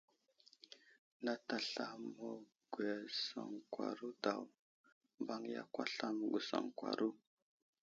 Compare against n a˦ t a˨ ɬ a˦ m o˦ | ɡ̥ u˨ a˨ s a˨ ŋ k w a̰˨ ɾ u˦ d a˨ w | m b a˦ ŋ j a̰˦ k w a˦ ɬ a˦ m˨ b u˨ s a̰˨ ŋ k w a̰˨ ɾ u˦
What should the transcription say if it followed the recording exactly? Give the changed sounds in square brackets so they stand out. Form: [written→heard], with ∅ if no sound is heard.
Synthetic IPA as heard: n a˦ t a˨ ɬ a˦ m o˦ | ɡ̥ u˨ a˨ s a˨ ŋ k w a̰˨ ɾ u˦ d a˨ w | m b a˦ ŋ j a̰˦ k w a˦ ɬ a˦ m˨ [b→ɡ] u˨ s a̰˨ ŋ k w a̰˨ ɾ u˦